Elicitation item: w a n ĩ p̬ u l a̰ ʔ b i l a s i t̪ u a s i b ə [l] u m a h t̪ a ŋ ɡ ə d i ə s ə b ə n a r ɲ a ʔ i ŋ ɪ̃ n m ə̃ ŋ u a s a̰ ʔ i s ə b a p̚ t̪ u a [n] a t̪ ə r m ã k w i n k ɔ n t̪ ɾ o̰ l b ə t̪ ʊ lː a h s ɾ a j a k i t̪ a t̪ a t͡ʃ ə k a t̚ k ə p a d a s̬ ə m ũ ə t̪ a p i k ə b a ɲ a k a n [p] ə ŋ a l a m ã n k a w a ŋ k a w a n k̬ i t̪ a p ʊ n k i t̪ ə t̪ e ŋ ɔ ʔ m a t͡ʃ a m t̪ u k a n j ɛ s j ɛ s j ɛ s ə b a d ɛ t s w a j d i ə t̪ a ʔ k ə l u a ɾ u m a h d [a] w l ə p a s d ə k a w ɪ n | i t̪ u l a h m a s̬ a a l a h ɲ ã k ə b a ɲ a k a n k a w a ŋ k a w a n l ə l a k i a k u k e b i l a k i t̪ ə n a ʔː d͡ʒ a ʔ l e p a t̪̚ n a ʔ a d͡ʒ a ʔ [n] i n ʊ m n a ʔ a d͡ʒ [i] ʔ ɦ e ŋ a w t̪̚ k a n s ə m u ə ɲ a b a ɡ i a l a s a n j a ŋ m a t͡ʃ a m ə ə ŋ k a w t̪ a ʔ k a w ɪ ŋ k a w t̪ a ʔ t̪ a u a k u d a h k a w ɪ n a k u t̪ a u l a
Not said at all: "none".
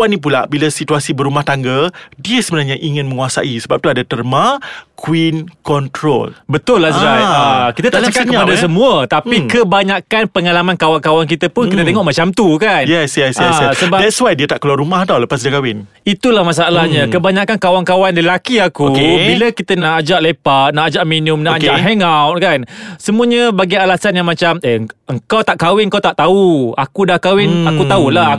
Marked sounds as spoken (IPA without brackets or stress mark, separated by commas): ɾ, d, p, a, m, a